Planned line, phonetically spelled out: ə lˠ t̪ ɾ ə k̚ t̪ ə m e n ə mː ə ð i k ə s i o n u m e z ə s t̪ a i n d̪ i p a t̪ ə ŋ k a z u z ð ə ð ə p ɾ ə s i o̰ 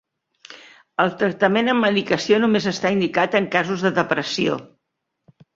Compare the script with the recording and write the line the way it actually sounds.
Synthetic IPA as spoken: ə lˠ t̪ ɾ ə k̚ t̪ ə m e n ə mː ə ð i k ə s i o n u m e z ə s t̪ a i n d̪ i k a t̪ ə ŋ k a z u z ð ə ð ə p ɾ ə s i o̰